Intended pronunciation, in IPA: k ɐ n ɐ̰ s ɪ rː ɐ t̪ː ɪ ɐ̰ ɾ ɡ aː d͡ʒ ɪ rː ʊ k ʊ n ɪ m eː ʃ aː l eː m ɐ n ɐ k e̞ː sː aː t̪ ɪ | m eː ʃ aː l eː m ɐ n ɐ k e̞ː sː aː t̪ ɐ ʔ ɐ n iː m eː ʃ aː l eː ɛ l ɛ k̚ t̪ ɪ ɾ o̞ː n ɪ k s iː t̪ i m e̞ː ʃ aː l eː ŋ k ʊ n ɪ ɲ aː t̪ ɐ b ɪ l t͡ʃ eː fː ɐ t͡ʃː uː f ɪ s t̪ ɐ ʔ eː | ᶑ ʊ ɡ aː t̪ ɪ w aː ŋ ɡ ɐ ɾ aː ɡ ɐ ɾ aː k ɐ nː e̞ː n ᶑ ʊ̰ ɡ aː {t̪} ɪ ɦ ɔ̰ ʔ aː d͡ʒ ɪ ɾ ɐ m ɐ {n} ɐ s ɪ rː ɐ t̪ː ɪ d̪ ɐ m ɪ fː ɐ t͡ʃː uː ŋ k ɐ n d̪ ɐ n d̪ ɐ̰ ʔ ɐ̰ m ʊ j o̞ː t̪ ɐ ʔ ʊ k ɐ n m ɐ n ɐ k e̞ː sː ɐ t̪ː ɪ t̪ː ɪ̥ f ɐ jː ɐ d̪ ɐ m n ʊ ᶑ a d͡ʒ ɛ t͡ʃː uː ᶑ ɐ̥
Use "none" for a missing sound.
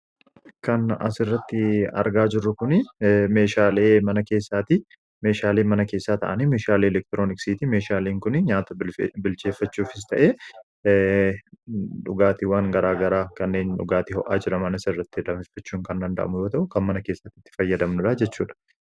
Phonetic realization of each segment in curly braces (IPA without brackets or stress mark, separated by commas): t̪, n